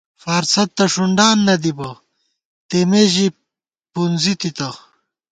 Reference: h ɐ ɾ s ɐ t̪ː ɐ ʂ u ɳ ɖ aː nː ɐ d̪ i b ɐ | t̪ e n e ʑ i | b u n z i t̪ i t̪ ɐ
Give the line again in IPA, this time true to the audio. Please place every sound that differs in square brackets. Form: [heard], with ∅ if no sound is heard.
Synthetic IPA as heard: [f] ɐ ɾ s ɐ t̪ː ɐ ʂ u ɳ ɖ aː nː ɐ d̪ i b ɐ | t̪ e [m] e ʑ i | [p] u n z i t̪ i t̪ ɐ